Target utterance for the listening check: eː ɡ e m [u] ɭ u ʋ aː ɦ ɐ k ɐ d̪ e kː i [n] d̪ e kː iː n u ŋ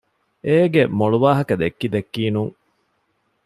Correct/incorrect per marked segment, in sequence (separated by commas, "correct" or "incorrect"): incorrect, incorrect